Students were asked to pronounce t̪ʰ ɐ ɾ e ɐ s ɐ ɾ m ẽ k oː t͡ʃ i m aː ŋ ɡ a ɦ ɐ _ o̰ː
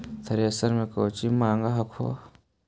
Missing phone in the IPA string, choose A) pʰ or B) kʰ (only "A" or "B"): B